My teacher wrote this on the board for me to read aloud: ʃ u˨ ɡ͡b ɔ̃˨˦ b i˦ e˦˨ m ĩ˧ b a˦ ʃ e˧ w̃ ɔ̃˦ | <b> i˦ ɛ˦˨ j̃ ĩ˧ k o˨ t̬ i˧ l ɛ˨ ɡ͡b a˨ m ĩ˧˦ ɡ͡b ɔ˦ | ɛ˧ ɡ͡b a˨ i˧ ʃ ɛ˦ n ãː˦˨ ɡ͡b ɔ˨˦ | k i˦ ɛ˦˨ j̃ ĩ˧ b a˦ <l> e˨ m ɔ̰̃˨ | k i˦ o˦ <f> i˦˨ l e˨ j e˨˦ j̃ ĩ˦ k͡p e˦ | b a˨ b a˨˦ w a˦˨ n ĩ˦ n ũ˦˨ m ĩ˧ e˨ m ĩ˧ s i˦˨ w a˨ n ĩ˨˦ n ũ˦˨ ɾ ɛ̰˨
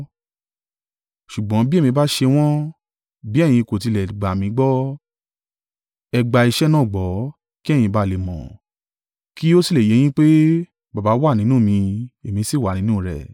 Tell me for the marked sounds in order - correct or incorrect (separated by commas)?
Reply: correct, correct, incorrect